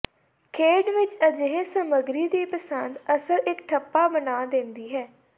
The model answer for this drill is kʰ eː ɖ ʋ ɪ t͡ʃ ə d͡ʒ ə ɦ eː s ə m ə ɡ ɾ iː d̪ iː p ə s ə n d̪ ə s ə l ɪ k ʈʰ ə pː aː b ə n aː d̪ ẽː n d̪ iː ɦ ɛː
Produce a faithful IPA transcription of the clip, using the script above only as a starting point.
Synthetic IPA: kʰ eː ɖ ʋ ɪ t͡ʃ ə d͡ʒ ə ɦ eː s ə m ə ɡ ɾ iː d̪ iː p ə s ə n d̪ ə s ə l ɪ k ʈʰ ə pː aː b ə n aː d̪ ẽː n d̪ iː ɦ ɛː